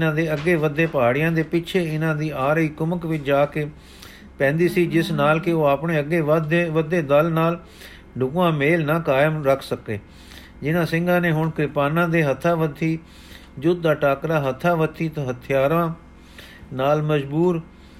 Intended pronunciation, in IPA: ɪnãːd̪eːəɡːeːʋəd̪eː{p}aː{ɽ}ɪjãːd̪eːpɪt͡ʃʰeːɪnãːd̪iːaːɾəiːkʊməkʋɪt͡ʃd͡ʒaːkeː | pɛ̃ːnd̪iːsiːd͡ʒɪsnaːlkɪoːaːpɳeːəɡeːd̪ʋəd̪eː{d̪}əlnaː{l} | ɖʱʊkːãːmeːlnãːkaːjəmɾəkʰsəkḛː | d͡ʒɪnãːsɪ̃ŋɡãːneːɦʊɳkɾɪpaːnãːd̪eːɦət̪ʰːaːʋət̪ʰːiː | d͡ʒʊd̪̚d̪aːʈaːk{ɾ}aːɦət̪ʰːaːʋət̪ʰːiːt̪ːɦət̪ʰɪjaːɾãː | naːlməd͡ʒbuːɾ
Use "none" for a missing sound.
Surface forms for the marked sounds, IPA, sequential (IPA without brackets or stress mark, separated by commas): p, ɽ, d̪, l, ɾ